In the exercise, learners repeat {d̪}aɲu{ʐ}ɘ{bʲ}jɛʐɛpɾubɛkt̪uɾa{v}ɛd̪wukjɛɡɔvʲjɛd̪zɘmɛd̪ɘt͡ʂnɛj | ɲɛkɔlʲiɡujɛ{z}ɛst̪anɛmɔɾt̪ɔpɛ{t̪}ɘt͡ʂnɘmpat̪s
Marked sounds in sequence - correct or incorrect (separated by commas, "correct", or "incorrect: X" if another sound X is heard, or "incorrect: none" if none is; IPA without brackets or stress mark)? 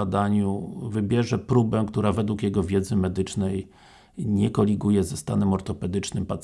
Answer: correct, incorrect: v, correct, correct, correct, incorrect: d̪